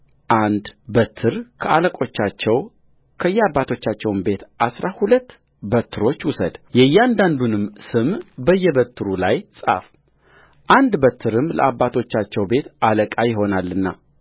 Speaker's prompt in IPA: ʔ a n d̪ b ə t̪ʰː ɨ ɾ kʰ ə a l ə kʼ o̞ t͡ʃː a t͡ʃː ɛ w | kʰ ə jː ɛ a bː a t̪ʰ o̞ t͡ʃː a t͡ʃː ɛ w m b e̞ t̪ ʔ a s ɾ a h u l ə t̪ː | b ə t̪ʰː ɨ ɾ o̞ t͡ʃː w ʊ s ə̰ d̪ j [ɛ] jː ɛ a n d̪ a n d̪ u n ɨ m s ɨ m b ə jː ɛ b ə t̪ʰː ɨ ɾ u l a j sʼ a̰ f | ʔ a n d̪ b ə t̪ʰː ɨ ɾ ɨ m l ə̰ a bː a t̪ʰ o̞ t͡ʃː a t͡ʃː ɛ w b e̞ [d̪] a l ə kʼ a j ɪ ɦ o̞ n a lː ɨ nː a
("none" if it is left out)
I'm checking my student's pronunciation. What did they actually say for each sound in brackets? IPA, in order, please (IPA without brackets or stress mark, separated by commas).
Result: ɛ, t̪